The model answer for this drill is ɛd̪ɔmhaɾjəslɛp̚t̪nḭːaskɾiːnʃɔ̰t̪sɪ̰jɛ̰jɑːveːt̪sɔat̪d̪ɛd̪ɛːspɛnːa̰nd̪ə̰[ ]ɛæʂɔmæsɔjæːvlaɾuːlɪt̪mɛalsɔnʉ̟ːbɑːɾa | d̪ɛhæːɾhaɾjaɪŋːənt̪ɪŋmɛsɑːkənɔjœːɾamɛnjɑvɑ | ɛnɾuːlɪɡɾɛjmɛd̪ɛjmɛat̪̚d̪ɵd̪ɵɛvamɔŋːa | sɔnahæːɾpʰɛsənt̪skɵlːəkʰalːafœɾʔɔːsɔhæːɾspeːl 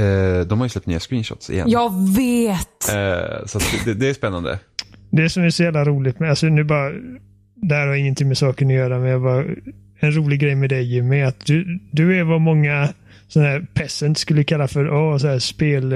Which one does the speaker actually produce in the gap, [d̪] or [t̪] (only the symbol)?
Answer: d̪